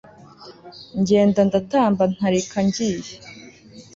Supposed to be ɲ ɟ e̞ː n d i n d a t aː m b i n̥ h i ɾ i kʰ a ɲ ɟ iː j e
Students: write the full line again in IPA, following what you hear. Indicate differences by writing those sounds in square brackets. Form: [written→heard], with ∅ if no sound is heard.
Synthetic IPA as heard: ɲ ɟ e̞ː n d [i→a] n d a t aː m b [i→a] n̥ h [i→a] ɾ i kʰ a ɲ ɟ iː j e